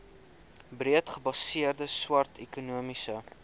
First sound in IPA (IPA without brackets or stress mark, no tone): b